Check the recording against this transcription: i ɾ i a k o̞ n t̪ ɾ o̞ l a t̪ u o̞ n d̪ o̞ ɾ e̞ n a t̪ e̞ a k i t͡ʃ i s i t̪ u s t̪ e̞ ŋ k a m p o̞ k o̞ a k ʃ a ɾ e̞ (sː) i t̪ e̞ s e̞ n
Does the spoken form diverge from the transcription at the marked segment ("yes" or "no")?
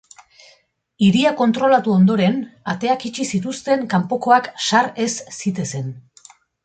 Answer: no